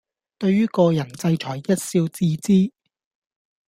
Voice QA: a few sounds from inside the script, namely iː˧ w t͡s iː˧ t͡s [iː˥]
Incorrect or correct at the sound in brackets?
correct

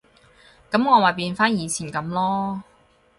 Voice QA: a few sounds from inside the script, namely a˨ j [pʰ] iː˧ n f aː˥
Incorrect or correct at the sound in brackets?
incorrect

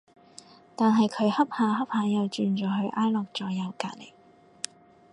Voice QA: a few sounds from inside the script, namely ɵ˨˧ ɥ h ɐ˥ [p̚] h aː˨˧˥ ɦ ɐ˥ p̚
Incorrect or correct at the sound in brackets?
correct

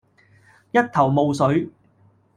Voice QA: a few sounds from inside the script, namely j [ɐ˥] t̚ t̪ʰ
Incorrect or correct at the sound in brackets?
correct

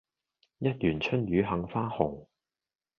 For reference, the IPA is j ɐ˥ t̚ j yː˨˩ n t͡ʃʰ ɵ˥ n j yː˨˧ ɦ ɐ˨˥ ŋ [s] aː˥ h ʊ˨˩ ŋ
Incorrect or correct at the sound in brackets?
incorrect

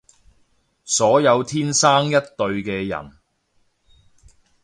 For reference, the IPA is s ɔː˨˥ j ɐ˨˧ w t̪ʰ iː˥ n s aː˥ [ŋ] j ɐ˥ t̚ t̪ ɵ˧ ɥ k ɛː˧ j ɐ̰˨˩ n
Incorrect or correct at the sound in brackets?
correct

